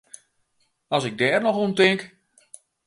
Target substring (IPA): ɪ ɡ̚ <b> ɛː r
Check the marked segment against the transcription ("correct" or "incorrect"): incorrect